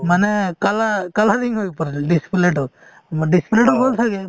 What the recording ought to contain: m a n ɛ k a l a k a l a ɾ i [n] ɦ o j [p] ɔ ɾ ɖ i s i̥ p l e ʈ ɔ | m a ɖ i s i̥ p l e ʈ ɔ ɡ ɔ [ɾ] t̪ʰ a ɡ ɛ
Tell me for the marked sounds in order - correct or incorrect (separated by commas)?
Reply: incorrect, correct, incorrect